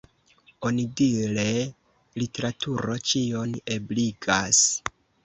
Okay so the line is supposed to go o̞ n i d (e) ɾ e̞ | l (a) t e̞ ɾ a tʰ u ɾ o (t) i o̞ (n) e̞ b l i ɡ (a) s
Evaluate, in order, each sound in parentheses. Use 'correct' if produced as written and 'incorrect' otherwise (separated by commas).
incorrect, incorrect, incorrect, correct, correct